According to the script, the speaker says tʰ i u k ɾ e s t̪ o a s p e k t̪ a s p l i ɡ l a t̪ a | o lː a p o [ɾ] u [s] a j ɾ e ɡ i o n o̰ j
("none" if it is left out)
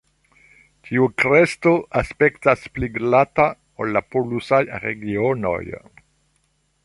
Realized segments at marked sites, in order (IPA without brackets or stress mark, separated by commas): l, s